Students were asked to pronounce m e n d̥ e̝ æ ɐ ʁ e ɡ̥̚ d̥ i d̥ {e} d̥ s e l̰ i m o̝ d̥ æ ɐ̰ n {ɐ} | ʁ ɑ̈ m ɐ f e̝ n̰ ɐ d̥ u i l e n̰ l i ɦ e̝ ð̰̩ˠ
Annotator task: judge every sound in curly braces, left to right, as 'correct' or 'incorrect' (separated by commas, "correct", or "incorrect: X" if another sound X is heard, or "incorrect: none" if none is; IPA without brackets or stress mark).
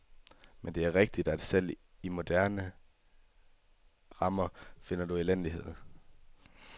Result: incorrect: æ, incorrect: ə